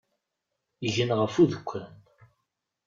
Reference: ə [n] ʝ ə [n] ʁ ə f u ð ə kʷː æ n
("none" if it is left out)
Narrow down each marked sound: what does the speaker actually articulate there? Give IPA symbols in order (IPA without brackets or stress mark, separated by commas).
none, n